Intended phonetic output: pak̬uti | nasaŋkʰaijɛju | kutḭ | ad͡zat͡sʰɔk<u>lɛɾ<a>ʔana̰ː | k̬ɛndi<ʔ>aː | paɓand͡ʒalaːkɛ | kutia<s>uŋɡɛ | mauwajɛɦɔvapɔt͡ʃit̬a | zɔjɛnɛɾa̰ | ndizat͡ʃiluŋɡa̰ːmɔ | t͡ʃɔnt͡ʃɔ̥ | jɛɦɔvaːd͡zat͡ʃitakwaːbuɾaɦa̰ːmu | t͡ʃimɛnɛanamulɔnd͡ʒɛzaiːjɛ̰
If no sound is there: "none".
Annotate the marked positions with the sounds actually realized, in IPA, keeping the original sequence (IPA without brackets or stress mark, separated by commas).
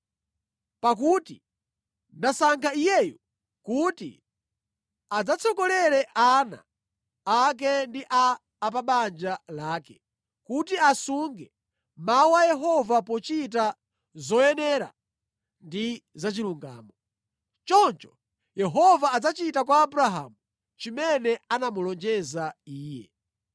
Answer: ɔ, ɛ, ʔ, s